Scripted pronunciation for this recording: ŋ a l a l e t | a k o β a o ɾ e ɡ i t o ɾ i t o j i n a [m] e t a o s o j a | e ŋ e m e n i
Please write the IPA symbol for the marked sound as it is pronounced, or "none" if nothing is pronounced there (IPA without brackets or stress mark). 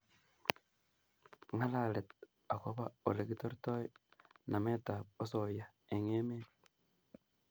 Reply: m